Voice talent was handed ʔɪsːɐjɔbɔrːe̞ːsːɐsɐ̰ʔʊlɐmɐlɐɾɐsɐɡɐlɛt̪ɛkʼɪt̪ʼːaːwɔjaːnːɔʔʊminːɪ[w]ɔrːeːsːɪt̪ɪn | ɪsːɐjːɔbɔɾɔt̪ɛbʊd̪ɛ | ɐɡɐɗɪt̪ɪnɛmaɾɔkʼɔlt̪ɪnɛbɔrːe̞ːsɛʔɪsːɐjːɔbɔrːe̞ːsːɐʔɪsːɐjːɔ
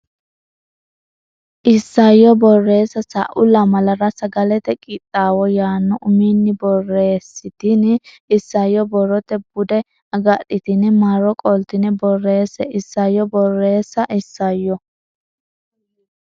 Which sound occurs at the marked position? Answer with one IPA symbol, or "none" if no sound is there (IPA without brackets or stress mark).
b